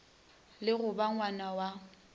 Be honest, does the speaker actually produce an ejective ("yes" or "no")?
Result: no